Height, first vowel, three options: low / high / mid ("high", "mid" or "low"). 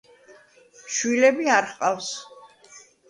high